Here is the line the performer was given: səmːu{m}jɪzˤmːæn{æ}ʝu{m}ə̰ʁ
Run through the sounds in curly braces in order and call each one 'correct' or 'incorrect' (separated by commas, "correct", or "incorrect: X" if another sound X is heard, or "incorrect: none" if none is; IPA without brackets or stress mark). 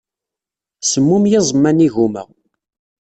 correct, incorrect: i, correct